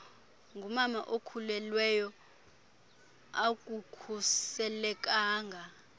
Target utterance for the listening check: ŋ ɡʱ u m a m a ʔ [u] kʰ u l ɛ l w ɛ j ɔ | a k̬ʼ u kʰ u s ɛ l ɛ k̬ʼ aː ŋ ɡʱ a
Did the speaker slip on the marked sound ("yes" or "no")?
yes